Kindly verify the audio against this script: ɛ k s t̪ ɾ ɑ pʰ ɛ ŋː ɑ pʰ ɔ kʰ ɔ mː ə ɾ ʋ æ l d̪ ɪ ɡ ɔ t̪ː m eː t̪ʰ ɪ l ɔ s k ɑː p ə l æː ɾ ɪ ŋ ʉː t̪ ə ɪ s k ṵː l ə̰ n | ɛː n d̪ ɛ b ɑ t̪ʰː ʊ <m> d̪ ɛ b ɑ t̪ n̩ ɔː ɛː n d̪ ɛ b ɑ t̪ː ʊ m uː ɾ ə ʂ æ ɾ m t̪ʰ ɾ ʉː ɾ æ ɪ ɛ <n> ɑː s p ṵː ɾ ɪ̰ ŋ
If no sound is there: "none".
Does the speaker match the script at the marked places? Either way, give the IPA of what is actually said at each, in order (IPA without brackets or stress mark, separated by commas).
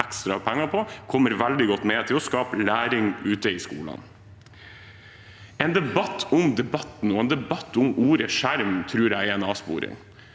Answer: m, n